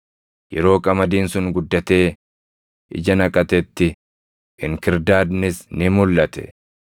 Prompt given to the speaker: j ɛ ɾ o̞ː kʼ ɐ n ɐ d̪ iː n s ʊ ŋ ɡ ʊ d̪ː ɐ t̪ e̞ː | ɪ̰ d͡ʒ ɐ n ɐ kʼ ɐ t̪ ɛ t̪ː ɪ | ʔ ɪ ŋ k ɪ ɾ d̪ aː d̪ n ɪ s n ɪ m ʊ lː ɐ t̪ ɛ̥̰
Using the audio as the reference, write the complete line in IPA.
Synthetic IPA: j ɛ ɾ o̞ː kʼ ɐ m ɐ d̪ iː n s ʊ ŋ ɡ ʊ d̪ː ɐ t̪ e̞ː | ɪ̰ d͡ʒ ɐ n ɐ kʼ ɐ t̪ ɛ t̪ː ɪ | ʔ ɪ ŋ k ɪ ɾ d̪ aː d̪ n ɪ s n ɪ m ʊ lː ɐ t̪ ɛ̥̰